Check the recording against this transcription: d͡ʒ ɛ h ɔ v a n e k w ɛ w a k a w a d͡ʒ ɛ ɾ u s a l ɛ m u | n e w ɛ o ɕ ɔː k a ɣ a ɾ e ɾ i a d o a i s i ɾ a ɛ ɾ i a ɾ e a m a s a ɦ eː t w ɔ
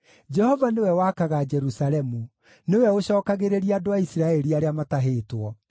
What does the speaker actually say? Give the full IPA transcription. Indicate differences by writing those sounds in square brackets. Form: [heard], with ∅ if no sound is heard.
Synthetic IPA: d͡ʒ ɛ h ɔ v a n e [∅] w ɛ w a k a [ɣ] a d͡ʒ ɛ ɾ u s a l ɛ m u | n e w ɛ o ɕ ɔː k a ɣ [e] ɾ e ɾ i a d o a i s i ɾ a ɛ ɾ i a ɾ e a m a [t] a ɦ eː t w ɔ